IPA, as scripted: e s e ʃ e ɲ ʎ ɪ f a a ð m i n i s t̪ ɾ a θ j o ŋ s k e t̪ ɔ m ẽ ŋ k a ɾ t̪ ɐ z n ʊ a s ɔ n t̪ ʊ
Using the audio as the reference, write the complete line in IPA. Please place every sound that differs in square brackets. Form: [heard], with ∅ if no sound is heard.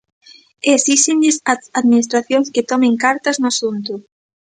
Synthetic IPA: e s [i] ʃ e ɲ ʎ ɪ [s] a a ð m i n i s t̪ ɾ a θ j o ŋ s k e t̪ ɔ m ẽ ŋ k a ɾ t̪ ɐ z n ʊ a s [u] n t̪ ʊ